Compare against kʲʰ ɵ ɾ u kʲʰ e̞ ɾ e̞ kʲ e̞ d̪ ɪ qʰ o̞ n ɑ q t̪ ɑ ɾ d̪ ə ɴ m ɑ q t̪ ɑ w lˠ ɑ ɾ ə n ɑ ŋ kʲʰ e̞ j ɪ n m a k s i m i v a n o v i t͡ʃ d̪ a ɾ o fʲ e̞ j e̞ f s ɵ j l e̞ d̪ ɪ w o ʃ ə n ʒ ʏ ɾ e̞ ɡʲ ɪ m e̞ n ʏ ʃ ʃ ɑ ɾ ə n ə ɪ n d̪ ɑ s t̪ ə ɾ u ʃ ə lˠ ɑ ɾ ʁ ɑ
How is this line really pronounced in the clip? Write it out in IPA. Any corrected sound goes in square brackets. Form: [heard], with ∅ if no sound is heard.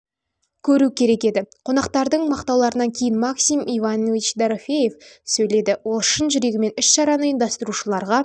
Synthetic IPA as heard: kʲʰ ɵ ɾ u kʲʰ e̞ ɾ e̞ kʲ e̞ d̪ ɪ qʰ o̞ n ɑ q t̪ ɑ ɾ d̪ ə ɴ m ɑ q t̪ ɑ w lˠ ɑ ɾ ə n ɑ ŋ kʲʰ e̞ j ɪ n m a k s i m i v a n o v i t͡ʃ d̪ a ɾ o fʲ e̞ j e̞ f s ɵ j l e̞ d̪ ɪ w o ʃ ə n ʒ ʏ ɾ e̞ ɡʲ ɪ m e̞ n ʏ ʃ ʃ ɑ ɾ [ɑ] n ə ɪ n d̪ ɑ s t̪ ə ɾ u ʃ ə lˠ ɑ ɾ ʁ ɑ

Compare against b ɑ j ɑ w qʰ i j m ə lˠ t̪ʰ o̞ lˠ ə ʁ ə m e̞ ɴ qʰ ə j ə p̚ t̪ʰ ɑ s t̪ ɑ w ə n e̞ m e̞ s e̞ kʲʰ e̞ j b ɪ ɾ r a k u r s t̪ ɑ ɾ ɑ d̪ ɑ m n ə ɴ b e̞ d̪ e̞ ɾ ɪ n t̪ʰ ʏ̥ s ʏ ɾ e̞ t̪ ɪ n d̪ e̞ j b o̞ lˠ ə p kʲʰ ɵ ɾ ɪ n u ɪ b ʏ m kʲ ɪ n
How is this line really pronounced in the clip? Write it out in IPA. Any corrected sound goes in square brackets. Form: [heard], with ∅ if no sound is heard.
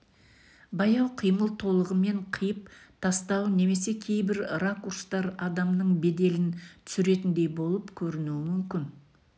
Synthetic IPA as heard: b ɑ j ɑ w qʰ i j m ə lˠ t̪ʰ o̞ lˠ ə ʁ ə m e̞ ɴ qʰ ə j ə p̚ t̪ʰ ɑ s t̪ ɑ w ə n e̞ m e̞ s e̞ kʲʰ e̞ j b ɪ ɾ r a k u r s t̪ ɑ ɾ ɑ d̪ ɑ m n ə ɴ b e̞ d̪ e̞ [l] ɪ n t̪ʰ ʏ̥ s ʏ ɾ e̞ t̪ ɪ n d̪ e̞ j b o̞ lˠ ə p kʲʰ ɵ ɾ ɪ n u ɪ [m] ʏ m kʲ ɪ n

